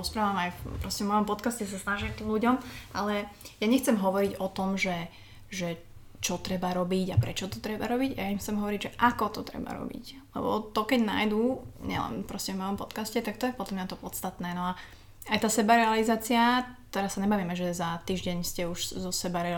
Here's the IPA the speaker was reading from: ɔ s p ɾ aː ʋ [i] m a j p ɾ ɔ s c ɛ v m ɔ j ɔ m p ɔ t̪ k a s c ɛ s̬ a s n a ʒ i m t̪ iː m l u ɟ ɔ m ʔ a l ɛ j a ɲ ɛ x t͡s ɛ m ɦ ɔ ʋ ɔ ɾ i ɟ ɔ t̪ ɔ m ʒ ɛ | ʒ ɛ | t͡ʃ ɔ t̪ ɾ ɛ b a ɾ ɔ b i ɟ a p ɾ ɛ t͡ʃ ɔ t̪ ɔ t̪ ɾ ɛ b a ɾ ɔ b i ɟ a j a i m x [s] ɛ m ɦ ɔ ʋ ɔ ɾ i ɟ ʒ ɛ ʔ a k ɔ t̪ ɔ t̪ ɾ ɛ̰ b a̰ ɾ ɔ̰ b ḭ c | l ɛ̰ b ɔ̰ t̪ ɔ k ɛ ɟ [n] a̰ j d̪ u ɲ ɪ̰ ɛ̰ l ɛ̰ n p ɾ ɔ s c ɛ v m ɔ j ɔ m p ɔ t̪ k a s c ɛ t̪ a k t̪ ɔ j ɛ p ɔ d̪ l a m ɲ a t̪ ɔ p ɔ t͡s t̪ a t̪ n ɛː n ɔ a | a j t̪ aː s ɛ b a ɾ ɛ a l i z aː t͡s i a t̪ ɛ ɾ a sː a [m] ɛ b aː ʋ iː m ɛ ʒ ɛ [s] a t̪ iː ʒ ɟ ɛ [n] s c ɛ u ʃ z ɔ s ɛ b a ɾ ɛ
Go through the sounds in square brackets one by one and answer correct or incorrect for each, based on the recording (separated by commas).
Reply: incorrect, incorrect, correct, incorrect, incorrect, incorrect